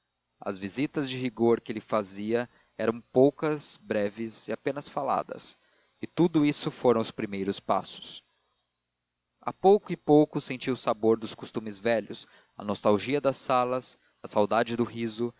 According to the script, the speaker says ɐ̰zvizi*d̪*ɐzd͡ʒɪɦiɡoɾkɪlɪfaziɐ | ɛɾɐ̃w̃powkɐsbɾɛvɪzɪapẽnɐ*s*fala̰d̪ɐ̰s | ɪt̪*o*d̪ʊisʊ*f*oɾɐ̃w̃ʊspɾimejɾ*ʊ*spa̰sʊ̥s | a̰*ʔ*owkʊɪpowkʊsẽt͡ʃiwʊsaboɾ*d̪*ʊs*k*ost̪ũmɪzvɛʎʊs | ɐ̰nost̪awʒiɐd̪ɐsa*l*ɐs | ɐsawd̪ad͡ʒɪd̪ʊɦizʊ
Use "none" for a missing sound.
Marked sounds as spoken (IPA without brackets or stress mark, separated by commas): t̪, s, u, f, ʊ, p, d̪, k, l